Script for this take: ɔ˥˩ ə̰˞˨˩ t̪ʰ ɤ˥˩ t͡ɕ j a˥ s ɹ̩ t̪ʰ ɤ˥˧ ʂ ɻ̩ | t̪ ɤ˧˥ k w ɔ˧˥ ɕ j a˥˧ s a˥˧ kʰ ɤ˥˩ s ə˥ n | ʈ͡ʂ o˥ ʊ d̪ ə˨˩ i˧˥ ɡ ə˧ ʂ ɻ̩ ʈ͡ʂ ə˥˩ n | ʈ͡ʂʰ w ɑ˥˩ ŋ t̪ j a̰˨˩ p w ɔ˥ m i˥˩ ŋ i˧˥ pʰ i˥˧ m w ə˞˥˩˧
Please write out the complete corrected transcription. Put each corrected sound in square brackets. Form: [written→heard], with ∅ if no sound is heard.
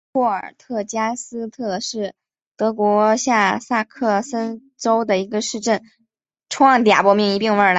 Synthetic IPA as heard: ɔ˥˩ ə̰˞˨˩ t̪ʰ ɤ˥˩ t͡ɕ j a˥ s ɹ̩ t̪ʰ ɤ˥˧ ʂ ɻ̩ | t̪ ɤ˧˥ k w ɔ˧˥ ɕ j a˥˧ s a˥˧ kʰ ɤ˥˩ s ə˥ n | ʈ͡ʂ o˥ ʊ d̪ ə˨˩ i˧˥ ɡ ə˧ ʂ ɻ̩ ʈ͡ʂ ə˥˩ n | ʈ͡ʂʰ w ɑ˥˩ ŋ t̪ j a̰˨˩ p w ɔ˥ m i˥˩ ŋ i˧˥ [pʰ→p] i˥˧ [m→ŋ] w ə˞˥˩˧